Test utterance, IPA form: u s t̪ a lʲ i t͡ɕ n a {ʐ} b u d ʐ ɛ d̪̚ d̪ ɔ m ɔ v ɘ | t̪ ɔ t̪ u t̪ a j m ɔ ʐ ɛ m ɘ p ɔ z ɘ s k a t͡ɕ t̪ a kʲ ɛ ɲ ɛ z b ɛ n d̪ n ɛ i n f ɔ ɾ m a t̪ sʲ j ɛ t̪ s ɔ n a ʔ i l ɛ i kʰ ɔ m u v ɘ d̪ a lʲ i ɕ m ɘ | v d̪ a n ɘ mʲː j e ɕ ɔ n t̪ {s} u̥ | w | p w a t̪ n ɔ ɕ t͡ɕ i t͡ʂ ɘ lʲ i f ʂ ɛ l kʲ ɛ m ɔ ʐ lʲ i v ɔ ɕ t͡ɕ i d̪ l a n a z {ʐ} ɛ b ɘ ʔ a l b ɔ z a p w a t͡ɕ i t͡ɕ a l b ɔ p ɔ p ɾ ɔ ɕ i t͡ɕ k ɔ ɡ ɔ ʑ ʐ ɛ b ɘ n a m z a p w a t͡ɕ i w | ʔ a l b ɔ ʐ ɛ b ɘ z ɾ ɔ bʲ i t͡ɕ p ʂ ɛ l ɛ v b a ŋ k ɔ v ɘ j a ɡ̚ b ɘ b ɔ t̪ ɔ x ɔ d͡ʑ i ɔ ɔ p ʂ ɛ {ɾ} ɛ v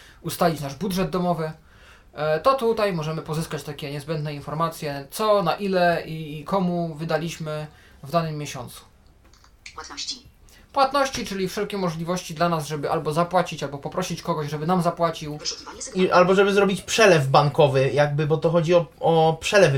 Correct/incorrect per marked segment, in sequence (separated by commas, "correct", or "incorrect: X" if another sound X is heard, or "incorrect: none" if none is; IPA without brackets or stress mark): correct, correct, correct, incorrect: l